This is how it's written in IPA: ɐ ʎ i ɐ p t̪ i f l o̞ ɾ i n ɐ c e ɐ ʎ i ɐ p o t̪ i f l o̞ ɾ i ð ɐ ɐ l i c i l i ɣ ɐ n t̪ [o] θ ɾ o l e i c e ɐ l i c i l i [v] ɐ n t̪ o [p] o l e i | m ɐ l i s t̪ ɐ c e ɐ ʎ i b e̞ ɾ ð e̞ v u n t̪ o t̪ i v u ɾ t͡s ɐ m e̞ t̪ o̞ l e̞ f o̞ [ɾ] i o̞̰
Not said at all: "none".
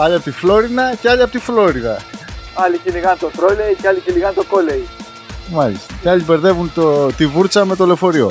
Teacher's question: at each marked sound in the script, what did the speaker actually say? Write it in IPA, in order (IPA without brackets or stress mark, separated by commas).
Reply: o, ɣ, k, ɾ